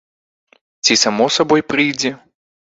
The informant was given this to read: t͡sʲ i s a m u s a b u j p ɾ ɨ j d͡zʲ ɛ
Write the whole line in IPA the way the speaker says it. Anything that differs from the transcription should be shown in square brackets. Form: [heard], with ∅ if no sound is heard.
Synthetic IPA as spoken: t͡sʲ i s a m [ɔ] s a b [ɔ] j p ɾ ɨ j d͡zʲ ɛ